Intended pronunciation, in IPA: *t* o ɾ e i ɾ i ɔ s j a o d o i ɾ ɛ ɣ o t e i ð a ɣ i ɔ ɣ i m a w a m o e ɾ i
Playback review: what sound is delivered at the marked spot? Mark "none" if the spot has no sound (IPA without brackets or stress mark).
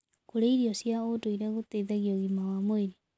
k